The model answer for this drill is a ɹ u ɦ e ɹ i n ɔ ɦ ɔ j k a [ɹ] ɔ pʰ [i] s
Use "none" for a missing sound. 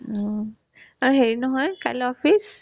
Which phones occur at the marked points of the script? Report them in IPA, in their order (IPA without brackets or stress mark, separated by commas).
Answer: l, i